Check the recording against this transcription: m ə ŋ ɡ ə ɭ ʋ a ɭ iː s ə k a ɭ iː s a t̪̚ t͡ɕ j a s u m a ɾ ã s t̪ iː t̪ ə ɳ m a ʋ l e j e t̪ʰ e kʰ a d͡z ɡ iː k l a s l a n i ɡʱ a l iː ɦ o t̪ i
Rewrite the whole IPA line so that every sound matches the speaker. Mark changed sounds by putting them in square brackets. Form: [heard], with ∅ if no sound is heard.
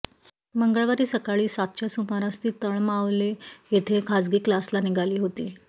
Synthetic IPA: m ə ŋ ɡ ə ɭ ʋ a [ɾ] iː s ə k a ɭ iː s a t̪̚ t͡ɕ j a s u m a ɾ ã s t̪ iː t̪ ə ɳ m a ʋ l e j e t̪ʰ e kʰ a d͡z ɡ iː k l a s l a n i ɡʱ a l iː ɦ o t̪ [iː]